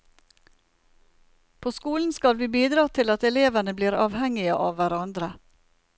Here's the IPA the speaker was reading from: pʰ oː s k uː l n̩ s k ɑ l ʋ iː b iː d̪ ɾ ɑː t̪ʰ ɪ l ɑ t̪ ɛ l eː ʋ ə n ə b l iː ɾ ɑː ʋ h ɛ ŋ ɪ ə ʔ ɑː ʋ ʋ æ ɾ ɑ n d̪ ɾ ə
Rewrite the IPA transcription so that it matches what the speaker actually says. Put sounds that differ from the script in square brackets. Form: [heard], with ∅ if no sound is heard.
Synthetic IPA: pʰ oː s k uː l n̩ s k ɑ l ʋ iː b iː d̪ ɾ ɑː t̪ʰ ɪ l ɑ t̪ ɛ l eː ʋ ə n ə b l iː ɾ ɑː ʋ h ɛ ŋ ɪ ə ʔ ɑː ʋ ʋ æ ɾ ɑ n d̪ ɾ ə

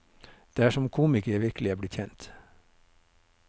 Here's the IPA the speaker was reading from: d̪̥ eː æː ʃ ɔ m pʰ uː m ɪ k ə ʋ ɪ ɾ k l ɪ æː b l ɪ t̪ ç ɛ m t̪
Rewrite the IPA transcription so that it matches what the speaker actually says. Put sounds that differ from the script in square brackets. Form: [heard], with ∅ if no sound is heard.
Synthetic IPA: d̪̥ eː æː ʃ ɔ m [kʰ] uː m ɪ k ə ʋ ɪ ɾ k l ɪ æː b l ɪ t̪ ç ɛ [n] t̪

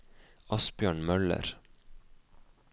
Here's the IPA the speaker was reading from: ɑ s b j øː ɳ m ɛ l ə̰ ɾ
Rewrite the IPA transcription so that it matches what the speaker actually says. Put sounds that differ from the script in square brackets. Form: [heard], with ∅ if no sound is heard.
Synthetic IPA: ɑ s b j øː ɳ m [œ] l ə̰ ɾ

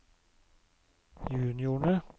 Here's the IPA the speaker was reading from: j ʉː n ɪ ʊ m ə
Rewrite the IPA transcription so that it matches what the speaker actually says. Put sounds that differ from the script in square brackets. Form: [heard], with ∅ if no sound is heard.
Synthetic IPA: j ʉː n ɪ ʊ [ɳ] ə

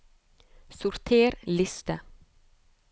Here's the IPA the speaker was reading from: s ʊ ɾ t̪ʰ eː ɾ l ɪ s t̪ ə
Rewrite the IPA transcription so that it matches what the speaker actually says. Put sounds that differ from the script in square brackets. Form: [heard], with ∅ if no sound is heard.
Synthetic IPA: s ʊ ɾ t̪ʰ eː ɾ l ɪ s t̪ ə

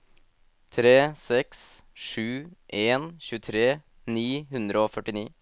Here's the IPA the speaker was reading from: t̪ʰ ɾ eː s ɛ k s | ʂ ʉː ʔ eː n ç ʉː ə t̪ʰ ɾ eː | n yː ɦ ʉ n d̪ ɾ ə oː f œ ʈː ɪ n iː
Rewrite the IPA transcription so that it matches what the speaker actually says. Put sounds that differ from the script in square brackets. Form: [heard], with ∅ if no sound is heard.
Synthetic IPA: t̪ʰ ɾ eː s ɛ k s | ʂ ʉː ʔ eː n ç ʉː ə t̪ʰ ɾ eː | n [iː] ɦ ʉ n d̪ ɾ ə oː f œ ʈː ɪ n iː

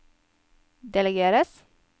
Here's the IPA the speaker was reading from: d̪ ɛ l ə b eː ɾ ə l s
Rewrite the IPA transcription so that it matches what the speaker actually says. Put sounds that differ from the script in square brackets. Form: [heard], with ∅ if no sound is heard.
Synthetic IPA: d̪ ɛ l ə [ɡ] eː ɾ ə [∅] s

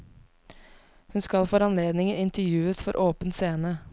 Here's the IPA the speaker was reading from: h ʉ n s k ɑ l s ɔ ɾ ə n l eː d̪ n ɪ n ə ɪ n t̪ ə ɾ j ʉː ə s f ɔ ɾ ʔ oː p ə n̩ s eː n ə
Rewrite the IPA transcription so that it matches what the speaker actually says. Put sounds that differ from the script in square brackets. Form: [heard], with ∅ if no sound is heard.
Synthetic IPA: h ʉ n s k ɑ l [f] ɔ ɾ [ɑ] n l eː d̪ n ɪ [ŋ] ə ɪ n t̪ ə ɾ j ʉː ə s f ɔ ɾ ʔ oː p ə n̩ s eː n ə

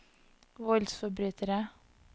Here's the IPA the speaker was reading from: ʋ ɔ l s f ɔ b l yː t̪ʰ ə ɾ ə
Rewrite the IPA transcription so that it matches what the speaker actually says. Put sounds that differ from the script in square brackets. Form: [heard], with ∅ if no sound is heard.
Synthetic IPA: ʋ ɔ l s f ɔ b [ɾ] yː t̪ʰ ə ɾ ə

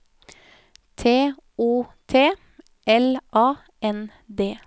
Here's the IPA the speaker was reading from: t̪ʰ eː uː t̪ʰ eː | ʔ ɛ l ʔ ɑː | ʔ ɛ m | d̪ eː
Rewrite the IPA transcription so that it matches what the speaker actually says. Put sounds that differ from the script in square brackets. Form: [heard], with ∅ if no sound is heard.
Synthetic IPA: t̪ʰ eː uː t̪ʰ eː | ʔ ɛ l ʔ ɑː | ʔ ɛ [n] | d̪ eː

